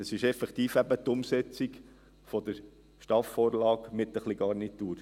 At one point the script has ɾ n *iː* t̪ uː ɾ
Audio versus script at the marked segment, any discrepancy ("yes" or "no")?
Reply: yes